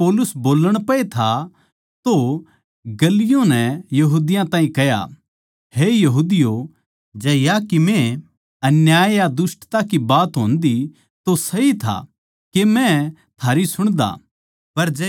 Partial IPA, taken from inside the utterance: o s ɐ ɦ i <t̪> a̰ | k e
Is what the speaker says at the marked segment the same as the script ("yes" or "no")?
no